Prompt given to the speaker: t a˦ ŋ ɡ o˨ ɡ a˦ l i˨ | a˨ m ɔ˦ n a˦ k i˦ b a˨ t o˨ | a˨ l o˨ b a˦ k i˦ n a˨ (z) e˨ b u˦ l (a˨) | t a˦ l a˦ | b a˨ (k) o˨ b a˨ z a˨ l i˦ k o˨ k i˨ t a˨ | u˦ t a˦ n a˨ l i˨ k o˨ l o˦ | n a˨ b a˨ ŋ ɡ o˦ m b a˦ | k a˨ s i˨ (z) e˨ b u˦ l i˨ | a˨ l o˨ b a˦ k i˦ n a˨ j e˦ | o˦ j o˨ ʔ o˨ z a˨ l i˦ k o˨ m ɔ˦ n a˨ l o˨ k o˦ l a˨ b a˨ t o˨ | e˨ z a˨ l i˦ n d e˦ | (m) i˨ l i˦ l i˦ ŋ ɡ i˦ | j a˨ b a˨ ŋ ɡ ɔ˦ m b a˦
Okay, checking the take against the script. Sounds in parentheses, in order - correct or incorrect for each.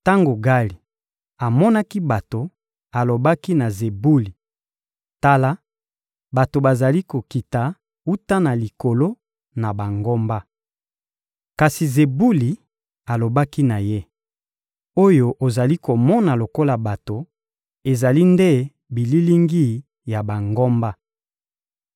correct, incorrect: i˨, incorrect: t, correct, incorrect: b

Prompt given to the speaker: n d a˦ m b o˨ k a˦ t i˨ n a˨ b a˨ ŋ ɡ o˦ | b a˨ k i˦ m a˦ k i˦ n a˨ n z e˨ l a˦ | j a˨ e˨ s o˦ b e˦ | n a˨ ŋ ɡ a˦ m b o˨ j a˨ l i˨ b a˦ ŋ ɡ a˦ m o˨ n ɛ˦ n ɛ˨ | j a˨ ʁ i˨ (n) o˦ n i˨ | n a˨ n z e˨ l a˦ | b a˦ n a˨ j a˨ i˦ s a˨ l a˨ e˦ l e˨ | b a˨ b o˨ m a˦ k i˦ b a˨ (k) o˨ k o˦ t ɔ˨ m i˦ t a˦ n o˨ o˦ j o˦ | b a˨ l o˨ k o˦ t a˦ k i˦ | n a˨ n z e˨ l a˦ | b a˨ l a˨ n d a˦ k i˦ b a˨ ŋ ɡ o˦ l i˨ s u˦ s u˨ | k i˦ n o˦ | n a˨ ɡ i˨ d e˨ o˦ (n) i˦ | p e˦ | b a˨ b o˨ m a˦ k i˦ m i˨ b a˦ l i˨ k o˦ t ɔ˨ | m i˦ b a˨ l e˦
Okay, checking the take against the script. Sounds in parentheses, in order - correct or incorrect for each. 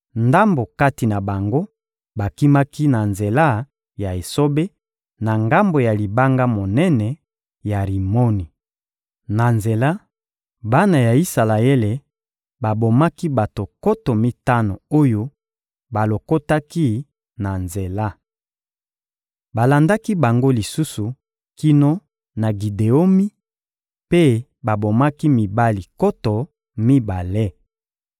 incorrect: m, incorrect: t, incorrect: m

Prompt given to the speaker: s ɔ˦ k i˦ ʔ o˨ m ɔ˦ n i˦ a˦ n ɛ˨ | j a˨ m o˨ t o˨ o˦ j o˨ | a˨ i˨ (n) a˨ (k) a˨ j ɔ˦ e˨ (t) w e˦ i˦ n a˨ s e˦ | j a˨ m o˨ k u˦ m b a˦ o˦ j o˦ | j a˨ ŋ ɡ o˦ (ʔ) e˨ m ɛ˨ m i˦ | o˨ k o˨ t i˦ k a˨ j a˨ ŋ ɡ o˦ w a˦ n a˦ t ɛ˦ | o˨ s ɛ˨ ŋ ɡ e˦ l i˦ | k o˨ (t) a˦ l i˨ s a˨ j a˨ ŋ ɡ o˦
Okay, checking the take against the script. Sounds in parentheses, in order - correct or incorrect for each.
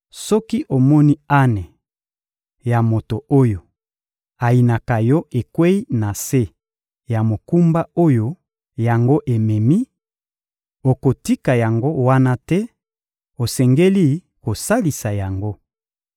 correct, correct, incorrect: k, correct, incorrect: s

